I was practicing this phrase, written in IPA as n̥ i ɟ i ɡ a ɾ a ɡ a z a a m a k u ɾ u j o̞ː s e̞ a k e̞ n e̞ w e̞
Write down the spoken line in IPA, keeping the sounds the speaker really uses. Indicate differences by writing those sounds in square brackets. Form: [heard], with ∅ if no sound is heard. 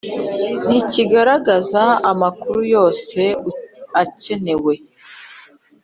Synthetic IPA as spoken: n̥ i [c] i ɡ a ɾ a ɡ a z a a m a k u ɾ u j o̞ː s e̞ a [c] e̞ n e̞ w e̞